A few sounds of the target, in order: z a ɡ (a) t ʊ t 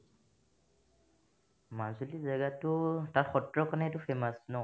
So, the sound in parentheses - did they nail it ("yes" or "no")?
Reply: yes